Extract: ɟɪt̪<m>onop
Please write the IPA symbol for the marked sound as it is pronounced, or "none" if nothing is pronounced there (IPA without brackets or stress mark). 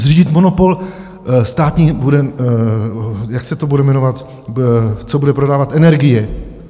m